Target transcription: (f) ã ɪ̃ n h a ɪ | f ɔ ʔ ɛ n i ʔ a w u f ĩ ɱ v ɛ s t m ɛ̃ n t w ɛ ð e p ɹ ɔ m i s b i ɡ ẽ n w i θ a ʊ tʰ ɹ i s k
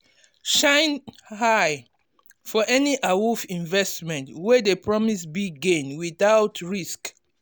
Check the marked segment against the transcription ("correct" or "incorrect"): incorrect